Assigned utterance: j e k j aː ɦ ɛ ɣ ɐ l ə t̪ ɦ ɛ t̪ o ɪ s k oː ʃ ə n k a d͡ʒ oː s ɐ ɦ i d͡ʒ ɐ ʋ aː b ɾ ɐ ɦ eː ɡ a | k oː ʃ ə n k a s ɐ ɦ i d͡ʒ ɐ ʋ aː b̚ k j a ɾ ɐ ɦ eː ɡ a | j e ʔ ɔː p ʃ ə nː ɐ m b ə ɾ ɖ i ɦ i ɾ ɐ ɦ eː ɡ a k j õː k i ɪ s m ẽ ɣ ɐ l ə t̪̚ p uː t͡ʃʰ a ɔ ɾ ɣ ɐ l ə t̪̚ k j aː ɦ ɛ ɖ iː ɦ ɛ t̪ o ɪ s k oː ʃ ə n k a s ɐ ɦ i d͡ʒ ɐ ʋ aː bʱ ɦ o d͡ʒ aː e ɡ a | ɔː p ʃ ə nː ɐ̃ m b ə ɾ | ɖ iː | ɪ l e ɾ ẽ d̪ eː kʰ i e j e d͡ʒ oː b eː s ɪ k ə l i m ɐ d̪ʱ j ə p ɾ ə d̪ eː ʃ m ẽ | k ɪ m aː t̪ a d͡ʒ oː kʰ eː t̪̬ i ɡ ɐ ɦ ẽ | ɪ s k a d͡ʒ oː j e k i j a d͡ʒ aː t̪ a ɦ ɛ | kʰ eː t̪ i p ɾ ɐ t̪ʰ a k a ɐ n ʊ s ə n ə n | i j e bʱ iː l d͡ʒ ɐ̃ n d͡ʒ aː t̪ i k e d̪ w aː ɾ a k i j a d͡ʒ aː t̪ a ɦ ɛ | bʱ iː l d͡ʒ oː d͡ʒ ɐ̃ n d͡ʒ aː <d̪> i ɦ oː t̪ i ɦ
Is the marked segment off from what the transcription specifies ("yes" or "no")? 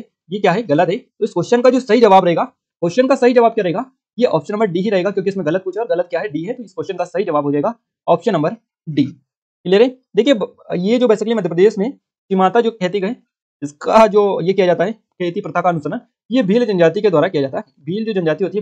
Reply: yes